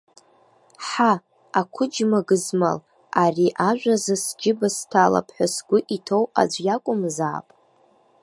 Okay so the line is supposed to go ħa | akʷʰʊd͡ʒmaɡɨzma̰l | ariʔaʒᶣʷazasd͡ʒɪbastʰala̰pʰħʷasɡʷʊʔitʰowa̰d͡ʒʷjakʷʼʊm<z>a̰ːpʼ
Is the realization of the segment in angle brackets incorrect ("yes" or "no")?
no